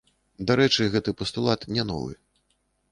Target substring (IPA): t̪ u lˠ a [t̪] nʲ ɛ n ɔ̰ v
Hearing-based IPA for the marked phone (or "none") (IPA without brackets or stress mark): t̪